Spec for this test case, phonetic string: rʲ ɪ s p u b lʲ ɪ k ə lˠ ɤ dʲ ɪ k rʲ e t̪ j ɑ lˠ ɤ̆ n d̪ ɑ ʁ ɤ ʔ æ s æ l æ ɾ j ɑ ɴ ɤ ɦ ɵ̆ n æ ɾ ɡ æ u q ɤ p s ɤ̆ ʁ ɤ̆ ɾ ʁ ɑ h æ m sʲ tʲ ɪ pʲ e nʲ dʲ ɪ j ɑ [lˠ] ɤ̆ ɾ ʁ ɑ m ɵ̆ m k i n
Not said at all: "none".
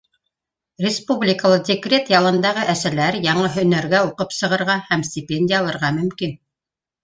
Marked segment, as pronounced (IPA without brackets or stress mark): lˠ